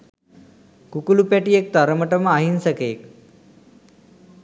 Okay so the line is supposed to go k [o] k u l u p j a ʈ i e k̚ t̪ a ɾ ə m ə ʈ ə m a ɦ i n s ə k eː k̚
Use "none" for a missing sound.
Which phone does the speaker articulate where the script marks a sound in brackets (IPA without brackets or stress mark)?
u